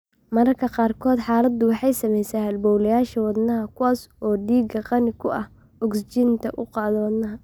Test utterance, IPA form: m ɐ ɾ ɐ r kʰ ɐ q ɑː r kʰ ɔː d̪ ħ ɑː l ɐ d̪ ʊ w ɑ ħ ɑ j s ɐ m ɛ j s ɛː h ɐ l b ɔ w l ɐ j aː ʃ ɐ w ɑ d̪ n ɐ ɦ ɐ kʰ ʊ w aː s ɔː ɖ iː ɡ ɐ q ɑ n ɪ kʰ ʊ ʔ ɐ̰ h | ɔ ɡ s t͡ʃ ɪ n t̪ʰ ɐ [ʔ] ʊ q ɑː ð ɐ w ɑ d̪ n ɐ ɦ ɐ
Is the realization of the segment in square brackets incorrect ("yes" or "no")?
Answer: no